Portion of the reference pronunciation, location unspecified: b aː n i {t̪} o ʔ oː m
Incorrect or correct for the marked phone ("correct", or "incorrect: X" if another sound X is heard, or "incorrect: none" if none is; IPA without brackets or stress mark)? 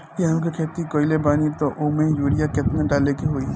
correct